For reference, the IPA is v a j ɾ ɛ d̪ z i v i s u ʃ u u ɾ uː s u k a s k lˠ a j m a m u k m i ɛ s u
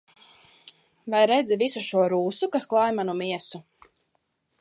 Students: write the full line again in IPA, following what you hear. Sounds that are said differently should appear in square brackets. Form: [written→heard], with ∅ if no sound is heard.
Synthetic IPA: v a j ɾ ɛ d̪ z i v i s u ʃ u [u→ɔ] ɾ uː s u k a s k lˠ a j m a [m→n] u [k→∅] m i ɛ s u